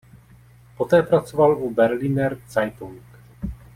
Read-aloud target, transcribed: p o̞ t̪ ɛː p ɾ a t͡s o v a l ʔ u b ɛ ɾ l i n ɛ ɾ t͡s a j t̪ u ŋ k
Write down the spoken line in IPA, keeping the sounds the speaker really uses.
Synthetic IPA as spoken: p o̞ t̪ ɛː p ɾ a t͡s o v a l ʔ u b ɛ ɾ l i n ɛ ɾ t͡s a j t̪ u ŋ k